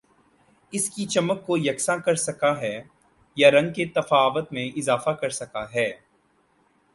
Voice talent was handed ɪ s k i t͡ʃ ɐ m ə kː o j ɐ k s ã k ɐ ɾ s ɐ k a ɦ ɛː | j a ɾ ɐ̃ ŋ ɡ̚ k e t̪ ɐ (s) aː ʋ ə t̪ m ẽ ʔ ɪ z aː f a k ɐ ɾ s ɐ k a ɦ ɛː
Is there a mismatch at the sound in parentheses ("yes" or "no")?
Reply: yes